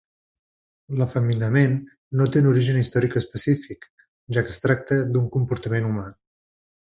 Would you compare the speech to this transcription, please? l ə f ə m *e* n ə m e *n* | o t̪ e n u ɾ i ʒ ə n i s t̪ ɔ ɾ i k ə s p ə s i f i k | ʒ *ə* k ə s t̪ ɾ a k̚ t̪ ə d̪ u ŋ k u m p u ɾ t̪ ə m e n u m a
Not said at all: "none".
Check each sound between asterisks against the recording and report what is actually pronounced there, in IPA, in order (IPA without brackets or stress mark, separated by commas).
i, nː, a